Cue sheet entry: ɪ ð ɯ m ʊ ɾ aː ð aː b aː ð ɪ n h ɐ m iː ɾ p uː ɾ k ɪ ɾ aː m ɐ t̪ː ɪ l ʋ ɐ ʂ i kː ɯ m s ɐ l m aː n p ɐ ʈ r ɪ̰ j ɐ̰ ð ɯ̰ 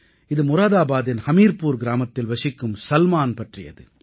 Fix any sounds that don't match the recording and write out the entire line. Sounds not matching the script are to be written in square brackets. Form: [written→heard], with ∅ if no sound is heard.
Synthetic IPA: ɪ ð ɯ m ʊ ɾ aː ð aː b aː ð ɪ n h ɐ m iː ɾ p uː ɾ [k→ɡ] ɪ ɾ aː m ɐ t̪ː ɪ l ʋ ɐ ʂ [i→ɪ] kː ɯ m s ɐ l m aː n p ɐ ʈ r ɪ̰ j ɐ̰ ð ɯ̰